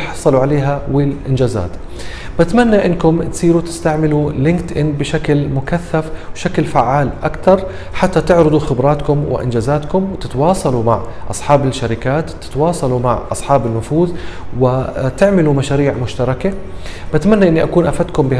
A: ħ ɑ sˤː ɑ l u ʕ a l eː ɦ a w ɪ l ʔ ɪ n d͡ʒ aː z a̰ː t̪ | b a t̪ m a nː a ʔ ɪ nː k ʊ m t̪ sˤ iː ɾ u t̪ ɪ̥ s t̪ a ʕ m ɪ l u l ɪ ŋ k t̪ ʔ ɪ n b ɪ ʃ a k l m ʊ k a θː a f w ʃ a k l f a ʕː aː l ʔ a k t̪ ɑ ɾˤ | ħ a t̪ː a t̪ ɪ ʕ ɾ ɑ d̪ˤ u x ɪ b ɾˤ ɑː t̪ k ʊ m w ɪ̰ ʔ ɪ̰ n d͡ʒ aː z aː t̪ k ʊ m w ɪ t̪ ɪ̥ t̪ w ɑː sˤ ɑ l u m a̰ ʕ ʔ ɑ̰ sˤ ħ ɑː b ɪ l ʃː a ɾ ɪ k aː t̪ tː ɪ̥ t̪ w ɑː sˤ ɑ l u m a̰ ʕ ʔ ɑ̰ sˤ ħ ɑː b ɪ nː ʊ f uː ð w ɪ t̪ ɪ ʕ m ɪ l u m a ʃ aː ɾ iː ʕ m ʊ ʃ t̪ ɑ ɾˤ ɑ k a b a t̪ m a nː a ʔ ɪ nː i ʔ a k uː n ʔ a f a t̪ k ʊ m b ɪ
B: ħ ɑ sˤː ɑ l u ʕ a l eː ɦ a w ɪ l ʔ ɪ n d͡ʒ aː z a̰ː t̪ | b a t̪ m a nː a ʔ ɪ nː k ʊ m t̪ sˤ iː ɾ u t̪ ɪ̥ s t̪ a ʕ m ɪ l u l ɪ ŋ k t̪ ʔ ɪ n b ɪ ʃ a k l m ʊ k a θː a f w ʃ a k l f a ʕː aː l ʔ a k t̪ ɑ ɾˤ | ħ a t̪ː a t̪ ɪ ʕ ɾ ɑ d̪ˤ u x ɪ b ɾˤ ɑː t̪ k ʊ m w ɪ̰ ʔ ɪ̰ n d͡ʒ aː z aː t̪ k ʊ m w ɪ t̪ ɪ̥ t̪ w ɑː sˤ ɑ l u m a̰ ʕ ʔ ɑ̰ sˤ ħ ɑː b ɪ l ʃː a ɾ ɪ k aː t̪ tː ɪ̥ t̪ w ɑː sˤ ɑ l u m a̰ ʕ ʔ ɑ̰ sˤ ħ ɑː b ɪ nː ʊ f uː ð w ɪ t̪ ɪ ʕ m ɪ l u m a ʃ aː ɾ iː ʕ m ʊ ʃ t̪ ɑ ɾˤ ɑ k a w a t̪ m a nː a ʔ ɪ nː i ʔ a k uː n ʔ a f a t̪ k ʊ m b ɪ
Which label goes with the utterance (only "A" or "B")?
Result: A